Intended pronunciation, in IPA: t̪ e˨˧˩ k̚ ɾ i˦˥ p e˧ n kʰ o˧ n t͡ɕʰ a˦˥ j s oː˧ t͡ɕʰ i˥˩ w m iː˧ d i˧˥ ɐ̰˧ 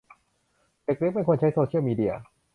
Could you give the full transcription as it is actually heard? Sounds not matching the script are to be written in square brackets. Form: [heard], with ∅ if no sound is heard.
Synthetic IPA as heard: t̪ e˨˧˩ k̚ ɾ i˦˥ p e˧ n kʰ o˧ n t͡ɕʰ a˦˥ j s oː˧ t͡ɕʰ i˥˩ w m iː˧ d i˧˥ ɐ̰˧

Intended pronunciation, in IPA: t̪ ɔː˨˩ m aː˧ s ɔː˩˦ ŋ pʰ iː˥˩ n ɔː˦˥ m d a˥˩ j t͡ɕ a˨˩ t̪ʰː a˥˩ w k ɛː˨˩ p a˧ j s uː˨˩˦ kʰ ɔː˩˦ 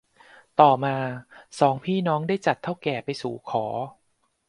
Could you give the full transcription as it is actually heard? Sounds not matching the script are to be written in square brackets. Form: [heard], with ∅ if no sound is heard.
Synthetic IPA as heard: t̪ ɔː˨˩ m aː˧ s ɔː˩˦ ŋ pʰ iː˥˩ n ɔː˦˥ [ŋ] d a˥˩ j t͡ɕ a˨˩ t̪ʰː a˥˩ w k ɛː˨˩ p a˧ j s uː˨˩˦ kʰ ɔː˩˦

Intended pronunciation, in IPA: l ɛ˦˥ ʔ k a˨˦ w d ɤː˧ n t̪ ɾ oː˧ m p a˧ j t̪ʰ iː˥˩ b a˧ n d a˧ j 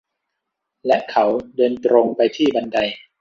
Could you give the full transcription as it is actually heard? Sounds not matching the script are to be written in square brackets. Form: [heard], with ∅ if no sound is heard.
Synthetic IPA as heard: l ɛ˦˥ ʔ [kʰ] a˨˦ w d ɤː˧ n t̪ ɾ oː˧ [ŋ] p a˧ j t̪ʰ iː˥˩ b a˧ n d a˧ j

